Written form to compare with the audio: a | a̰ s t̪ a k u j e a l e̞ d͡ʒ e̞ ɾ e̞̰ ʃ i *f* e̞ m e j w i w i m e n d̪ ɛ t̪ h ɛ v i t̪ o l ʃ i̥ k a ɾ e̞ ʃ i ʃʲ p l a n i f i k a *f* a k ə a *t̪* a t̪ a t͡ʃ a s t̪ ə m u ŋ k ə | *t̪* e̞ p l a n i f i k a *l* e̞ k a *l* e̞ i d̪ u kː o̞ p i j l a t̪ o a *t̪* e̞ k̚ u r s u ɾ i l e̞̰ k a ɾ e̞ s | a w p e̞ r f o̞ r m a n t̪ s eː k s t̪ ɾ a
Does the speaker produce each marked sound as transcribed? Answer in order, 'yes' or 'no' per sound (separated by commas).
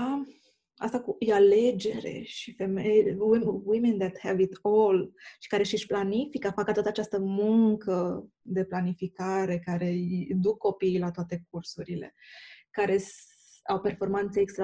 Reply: yes, yes, yes, no, no, no, yes